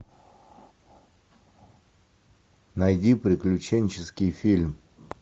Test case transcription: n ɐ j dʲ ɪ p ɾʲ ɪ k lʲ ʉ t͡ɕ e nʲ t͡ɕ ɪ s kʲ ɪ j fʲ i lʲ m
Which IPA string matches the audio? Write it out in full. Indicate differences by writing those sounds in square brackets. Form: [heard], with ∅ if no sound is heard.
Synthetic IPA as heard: n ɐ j dʲ [i] p ɾʲ ɪ k lʲ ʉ t͡ɕ e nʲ t͡ɕ ɪ s kʲ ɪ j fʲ i lʲ m